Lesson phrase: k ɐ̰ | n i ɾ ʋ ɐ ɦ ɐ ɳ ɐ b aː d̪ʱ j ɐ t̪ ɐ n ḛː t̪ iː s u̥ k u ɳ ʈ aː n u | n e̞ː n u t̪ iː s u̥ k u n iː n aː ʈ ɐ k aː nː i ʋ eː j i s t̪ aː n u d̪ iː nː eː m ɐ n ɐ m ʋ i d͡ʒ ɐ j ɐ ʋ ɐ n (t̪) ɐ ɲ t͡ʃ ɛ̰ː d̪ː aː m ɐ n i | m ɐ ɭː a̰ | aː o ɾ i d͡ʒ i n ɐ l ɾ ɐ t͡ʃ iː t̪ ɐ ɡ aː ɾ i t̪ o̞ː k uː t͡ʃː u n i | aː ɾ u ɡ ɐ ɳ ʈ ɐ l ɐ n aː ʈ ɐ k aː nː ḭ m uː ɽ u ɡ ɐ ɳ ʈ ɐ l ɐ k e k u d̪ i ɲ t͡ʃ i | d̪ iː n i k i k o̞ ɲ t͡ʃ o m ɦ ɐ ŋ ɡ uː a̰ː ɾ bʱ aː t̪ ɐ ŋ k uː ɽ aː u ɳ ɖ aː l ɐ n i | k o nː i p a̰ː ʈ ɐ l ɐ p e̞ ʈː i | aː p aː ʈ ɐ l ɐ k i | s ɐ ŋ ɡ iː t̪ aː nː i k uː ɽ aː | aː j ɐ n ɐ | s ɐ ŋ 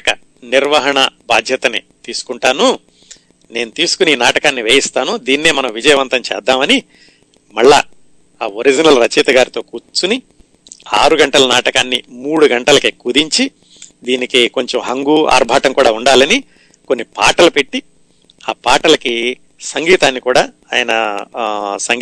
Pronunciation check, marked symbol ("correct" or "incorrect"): correct